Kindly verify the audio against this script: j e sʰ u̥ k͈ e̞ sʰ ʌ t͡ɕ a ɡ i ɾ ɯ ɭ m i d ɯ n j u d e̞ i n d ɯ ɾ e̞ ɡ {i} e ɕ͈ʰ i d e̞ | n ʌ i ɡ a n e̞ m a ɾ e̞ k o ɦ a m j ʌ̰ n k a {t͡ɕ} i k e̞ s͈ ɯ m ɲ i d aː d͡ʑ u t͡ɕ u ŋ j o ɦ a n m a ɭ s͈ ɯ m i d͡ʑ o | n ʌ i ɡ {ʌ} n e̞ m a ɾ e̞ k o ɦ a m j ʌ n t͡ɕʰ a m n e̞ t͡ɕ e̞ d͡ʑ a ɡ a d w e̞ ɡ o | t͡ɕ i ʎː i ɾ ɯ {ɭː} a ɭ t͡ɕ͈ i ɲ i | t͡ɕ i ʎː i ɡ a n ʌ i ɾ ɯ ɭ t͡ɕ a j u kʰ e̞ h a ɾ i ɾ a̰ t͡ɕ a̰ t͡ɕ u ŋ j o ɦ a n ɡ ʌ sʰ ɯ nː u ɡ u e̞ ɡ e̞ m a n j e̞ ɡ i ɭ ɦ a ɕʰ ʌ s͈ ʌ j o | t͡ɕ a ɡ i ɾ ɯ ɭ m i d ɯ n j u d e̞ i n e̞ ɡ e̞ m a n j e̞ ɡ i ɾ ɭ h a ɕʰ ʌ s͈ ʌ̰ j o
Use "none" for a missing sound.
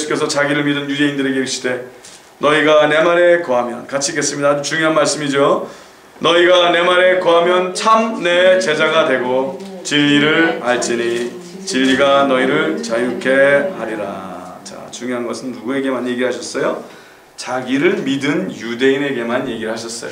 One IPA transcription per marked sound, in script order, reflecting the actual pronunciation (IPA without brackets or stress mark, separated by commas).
e, t͡ɕʰ, a, ɭ